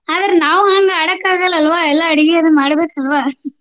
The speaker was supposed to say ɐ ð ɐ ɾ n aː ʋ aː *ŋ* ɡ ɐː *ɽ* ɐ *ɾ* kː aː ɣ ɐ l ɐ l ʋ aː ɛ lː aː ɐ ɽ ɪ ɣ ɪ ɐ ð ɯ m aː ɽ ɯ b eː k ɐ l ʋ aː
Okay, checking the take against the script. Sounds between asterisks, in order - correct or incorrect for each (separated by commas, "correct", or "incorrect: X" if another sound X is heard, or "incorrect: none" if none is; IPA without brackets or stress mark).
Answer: correct, correct, incorrect: none